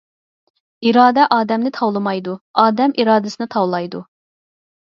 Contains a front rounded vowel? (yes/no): no